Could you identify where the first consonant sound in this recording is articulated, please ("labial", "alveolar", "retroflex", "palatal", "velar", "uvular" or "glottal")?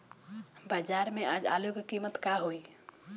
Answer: labial